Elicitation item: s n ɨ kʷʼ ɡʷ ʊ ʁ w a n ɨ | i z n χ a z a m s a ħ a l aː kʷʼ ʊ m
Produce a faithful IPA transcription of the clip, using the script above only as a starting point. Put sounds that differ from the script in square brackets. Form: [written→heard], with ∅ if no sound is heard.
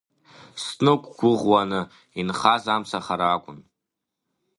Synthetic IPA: s n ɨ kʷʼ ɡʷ ʊ ʁ w a n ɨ | i [z→∅] n χ a z a m s a [ħ→χ] a [l→ɾ] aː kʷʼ ʊ [m→n]